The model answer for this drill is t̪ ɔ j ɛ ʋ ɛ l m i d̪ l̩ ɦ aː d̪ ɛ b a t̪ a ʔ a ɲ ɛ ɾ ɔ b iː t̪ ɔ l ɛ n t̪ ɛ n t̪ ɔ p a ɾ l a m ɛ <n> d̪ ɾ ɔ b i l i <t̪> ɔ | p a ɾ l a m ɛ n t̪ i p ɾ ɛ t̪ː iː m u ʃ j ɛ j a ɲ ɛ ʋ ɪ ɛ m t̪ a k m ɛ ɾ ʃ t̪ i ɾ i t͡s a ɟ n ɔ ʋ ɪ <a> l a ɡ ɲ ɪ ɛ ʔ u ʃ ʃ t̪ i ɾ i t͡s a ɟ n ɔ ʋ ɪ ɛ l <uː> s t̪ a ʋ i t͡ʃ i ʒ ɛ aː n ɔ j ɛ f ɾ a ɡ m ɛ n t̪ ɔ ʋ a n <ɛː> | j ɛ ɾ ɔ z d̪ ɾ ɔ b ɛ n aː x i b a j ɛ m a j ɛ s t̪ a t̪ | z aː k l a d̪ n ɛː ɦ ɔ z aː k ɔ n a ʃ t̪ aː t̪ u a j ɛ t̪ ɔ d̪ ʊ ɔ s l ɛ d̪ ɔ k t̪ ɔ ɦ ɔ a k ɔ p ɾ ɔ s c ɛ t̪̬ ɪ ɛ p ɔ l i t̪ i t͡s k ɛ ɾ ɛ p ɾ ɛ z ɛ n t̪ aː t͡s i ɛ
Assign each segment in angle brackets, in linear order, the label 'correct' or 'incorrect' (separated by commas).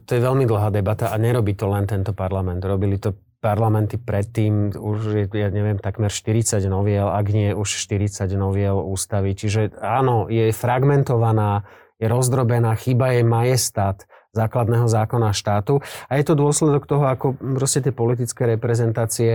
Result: correct, correct, incorrect, correct, incorrect